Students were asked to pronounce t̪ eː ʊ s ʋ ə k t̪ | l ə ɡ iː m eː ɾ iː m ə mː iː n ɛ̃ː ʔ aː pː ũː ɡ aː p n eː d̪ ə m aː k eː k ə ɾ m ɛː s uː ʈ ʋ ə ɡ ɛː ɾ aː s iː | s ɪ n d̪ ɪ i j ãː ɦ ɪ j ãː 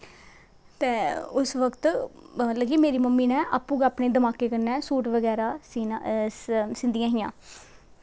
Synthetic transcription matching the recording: t̪ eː ʊ s ʋ ə k t̪ | l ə ɡ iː m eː ɾ iː m ə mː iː n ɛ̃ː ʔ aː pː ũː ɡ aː p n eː d̪ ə m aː k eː k ə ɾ n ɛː s uː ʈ ʋ ə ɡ ɛː ɾ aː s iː | s ɪ n d̪ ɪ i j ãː ɦ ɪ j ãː